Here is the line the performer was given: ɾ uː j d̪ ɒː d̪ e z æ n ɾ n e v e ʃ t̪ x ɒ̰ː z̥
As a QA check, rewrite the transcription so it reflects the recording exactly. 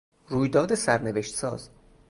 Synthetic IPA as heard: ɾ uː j d̪ ɒː d̪ e s æ ɾ n e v e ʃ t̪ s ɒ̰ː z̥